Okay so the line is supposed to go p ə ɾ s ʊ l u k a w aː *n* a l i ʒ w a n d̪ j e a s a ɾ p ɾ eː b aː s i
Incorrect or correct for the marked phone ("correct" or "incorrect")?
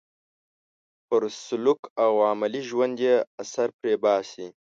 incorrect